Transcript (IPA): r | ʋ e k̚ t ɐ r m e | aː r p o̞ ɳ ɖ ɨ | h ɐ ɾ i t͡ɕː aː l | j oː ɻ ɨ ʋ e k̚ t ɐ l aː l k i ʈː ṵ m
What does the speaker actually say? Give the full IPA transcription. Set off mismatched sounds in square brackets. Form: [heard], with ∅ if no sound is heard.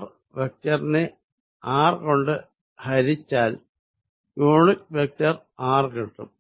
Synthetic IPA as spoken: r | ʋ e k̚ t ɐ r [n] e | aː r [k] o̞ ɳ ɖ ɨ | h ɐ ɾ i t͡ɕː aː l | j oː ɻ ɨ ʋ e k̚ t ɐ [r] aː [r] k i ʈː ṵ m